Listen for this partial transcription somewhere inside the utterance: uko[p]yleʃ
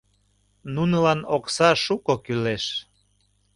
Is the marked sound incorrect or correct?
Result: incorrect